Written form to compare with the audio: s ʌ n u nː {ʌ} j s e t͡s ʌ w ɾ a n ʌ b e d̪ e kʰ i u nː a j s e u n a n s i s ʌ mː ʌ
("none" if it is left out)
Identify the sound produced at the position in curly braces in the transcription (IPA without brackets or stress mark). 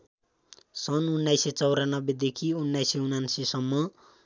a